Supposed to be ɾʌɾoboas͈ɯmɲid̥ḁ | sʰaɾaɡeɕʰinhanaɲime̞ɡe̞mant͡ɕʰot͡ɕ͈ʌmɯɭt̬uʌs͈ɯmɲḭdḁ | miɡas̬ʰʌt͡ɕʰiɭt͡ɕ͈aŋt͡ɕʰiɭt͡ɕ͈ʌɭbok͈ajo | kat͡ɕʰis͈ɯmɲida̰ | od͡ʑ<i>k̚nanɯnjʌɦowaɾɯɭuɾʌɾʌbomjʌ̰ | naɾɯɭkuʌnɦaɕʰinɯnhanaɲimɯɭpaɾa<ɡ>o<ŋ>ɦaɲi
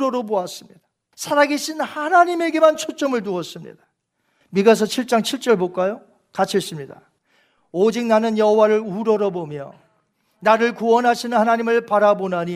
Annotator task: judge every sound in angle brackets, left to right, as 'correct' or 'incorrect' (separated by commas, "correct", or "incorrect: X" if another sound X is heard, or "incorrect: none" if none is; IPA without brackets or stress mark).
correct, incorrect: b, incorrect: n